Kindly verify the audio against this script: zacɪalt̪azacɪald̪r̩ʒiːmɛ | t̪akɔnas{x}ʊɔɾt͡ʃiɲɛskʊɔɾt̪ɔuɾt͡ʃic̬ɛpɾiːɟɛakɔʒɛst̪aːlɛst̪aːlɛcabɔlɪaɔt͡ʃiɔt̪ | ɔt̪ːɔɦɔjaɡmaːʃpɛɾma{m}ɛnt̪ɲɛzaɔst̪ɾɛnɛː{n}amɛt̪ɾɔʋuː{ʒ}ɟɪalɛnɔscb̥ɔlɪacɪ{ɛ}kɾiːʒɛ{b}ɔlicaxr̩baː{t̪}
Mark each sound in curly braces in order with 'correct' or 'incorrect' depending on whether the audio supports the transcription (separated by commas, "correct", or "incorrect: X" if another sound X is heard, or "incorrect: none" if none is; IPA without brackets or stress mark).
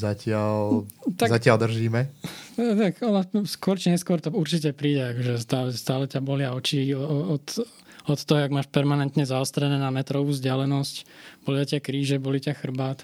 incorrect: k, incorrect: n, correct, incorrect: z, incorrect: a, correct, correct